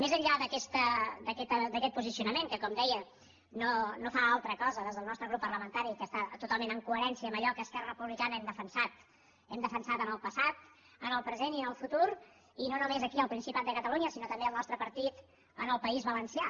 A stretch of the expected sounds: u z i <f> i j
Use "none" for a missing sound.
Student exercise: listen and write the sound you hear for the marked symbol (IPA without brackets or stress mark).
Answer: s